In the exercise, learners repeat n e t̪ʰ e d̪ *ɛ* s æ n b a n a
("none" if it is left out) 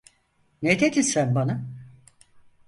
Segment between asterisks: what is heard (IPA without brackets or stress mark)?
i